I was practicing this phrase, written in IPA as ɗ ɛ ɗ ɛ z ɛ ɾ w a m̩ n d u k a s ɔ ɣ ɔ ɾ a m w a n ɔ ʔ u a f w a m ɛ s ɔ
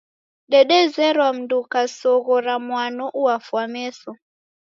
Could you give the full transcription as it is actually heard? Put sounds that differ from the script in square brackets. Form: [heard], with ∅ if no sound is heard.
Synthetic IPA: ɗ ɛ ɗ ɛ z ɛ ɾ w a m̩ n d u k a s ɔ ɣ ɔ ɾ a m w a n ɔ ʔ u a f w a m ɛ s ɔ